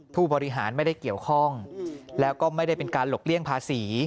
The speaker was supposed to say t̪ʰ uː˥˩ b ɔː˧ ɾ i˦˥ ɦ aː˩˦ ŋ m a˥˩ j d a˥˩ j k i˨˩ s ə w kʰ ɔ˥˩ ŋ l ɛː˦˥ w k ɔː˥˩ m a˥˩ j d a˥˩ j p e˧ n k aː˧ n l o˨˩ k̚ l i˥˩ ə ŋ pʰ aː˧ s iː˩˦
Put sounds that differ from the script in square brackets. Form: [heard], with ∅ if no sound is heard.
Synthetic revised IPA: t̪ʰ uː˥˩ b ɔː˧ ɾ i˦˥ ɦ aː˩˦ [n] m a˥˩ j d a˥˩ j k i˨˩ [∅] ə w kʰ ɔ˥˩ ŋ l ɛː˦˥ w k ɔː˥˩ m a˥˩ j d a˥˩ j p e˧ n k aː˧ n l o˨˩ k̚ l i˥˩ ə ŋ pʰ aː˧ s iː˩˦